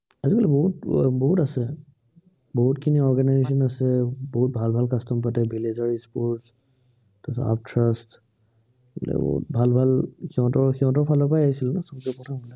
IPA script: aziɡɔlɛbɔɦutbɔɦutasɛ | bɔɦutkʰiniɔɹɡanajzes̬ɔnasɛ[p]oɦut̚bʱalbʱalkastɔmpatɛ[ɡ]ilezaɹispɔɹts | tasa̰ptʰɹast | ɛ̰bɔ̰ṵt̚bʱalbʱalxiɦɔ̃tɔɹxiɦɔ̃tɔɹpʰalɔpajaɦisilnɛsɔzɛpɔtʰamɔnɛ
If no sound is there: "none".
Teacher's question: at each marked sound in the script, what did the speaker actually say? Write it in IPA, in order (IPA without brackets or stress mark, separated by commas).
b, b